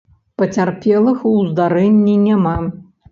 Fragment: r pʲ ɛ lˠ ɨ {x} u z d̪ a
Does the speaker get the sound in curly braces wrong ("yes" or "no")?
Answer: no